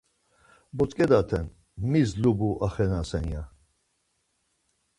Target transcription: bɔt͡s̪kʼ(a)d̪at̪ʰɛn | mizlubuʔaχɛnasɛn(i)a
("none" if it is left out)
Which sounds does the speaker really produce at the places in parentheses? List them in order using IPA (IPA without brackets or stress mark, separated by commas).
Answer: ɛ, j